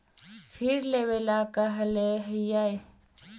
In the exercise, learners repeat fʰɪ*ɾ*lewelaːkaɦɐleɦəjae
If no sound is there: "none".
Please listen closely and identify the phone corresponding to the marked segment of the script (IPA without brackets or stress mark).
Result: ɾ